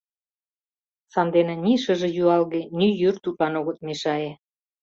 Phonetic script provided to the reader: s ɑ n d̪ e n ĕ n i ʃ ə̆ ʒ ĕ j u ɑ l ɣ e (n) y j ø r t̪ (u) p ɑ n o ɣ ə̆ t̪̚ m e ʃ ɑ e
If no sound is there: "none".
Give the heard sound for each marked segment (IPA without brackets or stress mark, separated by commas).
n, u